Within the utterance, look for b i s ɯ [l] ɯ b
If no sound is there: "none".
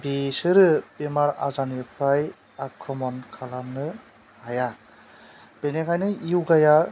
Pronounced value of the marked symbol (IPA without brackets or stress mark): ɾ